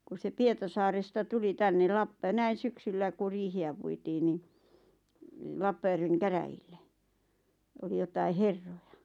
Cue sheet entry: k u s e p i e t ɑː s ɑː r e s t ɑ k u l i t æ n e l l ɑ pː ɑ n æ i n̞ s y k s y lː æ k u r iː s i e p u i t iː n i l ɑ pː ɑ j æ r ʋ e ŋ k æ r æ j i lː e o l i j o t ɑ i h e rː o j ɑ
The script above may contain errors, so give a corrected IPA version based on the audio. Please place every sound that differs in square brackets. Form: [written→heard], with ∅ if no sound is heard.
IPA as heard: k u s e p i e t [ɑː→ɑ] s ɑː r e s t ɑ [k→t] u l i t æ [n→nː] e l l ɑ pː ɑ n æ i n̞ s y k s y lː æ k u r iː [s→h] i [e→æ] p u i t iː n i l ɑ pː ɑ j æ r ʋ e ŋ k æ r æ j i lː e o l i j o t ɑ i h e rː o j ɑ

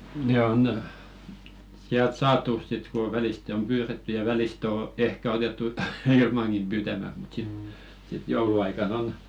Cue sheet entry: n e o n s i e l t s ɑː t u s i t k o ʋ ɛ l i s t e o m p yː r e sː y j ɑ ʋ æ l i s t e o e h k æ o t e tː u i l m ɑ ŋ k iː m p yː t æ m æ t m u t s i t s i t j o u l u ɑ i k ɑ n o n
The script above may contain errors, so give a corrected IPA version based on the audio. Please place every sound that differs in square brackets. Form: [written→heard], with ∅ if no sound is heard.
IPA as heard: n e o n s i [e→æ] l t s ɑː t u s i t k o ʋ ɛ l i s t e o m p yː r e [sː→tː] y j ɑ ʋ æ l i s t e o e h k æ o t e tː u i l m ɑ ŋ k [iː→i] m p yː t æ m æ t m u t s i t s i t j o u l u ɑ i k ɑ n o n

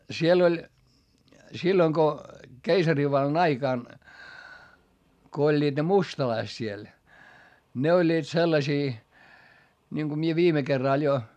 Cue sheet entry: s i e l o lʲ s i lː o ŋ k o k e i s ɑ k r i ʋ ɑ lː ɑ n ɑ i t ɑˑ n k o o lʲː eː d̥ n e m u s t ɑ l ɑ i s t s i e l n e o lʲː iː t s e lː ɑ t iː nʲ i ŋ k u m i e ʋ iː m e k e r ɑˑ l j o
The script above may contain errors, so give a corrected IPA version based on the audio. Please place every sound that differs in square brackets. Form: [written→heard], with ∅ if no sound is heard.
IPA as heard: s i e l o lʲ s i lː o ŋ k o k e i s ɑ [k→∅] r i ʋ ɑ lː ɑ n ɑ i [t→k] ɑˑ n k o o lʲː [eː→iː] d̥ n e m u s t ɑ l ɑ i s t s i e l n e o lʲː iː t s e lː ɑ [t→s] iː nʲ i ŋ k u m i e ʋ iː m e k e [r→rː] ɑˑ l j o

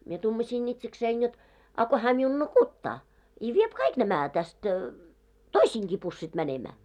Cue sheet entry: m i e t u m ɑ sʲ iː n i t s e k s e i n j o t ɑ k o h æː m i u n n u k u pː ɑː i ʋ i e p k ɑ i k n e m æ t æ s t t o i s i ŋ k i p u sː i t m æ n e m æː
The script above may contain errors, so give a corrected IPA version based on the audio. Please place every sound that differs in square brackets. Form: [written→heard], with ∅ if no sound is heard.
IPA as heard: m i e t u m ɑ sʲ iː n i t s e k s e i n j o t ɑ k o h æː m i u n n u k u [pː→tː] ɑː i ʋ i e p k ɑ i k n [e→æ] m æ t æ s t t o i s [i→iː] ŋ k i p u sː i t m æ n e m æː

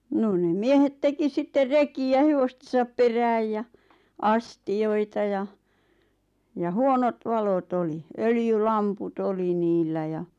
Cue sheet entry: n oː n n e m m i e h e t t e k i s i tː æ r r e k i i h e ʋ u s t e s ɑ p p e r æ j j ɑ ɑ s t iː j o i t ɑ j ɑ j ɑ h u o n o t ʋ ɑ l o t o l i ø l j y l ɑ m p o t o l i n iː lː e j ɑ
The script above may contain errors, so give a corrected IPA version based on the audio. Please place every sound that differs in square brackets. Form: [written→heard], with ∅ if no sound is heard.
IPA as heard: n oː n n e m m i e h e t t e k i s i tː [æ→e] r r e k i [i→æ] h e ʋ [u→o] s t e s ɑ p p e r [æ→æː] j j ɑ ɑ s t [iː→i] j o i t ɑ j ɑ j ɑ h u o n o t ʋ ɑ l o t o l i ø l j y l ɑ m p [o→u] t o l i n iː lː [e→æ] j ɑ

